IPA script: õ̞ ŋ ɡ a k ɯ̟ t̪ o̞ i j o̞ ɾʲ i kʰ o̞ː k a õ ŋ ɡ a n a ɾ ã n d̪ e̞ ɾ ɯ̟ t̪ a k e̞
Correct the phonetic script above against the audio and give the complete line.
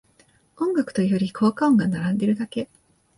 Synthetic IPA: õ̞ ŋ ɡ a k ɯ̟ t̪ o̞ i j o̞ ɾʲ i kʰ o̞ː k a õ ŋ ɡ a n a ɾ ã n d̪ e̞ ɾ ɯ̟ d̪ a k e̞

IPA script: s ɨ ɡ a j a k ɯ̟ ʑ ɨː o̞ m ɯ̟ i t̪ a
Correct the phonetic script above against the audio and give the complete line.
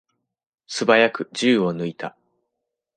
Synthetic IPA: s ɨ b a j a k ɯ̟ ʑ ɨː o̞ n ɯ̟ i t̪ a

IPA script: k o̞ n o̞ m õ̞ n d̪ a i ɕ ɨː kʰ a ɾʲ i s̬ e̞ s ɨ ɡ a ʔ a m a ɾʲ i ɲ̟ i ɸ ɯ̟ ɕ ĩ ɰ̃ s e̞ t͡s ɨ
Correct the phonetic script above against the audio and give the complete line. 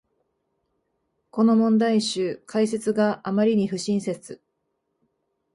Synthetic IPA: k o̞ n o̞ m õ̞ n d̪ a i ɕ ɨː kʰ a i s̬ e̞ t͡s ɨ ɡ a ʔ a m a ɾʲ i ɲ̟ i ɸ ɯ̟ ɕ ĩ ɰ̃ s e̞ t͡s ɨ

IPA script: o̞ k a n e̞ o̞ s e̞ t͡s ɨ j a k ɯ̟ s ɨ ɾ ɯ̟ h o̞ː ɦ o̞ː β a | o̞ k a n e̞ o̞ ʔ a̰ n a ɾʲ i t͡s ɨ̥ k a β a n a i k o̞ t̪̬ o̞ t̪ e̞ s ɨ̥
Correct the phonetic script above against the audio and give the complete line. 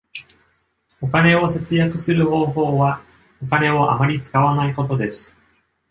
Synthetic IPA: o̞ k a n e̞ o̞ s e̞ t͡s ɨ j a k ɯ̟ s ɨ ɾ ɯ̟ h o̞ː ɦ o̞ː β a | o̞ k a n e̞ o̞ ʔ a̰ m a ɾʲ i t͡s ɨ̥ k a β a n a i k o̞ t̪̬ o̞ d̪ e̞ s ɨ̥

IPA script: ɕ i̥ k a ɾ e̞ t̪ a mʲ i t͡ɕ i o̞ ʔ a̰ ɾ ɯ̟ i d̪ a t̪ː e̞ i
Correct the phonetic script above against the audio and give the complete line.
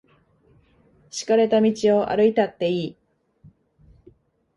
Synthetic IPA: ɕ i̥ k a ɾ e̞ t̪ a mʲ i t͡ɕ i o̞ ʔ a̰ ɾ ɯ̟ i t̪ a t̪ː e̞ iː

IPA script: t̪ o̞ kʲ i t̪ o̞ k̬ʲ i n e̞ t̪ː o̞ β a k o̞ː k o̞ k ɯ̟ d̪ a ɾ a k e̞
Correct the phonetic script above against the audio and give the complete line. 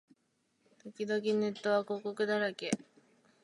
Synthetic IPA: t̪ o̞ kʲ i d̪ o̞ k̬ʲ i n e̞ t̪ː o̞ β a k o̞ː k o̞ k ɯ̟ d̪ a ɾ a k e̞

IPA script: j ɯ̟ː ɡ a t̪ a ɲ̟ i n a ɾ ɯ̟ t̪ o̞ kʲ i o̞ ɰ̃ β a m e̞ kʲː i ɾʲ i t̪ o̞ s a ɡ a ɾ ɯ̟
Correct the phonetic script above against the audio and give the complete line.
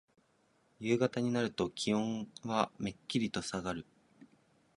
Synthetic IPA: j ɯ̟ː ɡ a t̪ a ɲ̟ i n a ɾ ɯ̟ t̪ o̞ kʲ i õ̞ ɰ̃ β a m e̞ kʲː i ɾʲ i t̪ o̞ s a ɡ a ɾ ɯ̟

